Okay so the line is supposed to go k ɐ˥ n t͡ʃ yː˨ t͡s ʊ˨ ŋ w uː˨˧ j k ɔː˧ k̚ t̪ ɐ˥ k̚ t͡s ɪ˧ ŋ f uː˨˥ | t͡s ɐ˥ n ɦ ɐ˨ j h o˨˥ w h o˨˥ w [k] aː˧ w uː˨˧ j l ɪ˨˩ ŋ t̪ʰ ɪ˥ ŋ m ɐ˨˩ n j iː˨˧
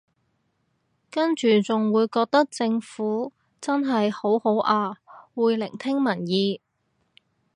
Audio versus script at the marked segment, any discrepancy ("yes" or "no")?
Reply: yes